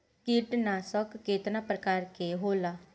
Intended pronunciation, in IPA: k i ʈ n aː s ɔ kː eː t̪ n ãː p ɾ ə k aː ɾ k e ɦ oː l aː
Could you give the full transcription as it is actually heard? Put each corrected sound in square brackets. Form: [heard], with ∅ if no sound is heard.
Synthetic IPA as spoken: k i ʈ n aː s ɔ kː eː t̪ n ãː p ɾ ə k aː ɾ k e ɦ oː l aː